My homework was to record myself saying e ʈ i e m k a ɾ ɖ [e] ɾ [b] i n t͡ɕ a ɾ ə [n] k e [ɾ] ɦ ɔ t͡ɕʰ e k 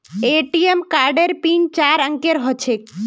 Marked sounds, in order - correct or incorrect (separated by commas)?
correct, incorrect, incorrect, correct